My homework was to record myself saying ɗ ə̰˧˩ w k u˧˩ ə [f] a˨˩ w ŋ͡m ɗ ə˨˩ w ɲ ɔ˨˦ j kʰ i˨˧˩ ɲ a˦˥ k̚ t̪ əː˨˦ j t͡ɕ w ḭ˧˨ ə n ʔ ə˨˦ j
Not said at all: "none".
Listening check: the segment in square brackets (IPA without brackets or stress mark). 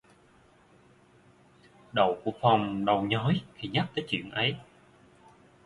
f